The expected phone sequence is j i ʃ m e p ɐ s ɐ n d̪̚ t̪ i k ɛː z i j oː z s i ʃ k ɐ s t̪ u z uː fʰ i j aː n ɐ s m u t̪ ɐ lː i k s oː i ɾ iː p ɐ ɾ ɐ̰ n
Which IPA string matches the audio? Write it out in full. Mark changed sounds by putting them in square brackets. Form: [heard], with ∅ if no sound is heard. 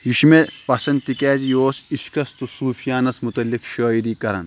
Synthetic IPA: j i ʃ m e p ɐ s ɐ n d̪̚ t̪ i k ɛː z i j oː [∅] s i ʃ k ɐ s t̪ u [s] uː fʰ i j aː n ɐ s m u t̪ ɐ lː i k [ʃ] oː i ɾ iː [k] ɐ ɾ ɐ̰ n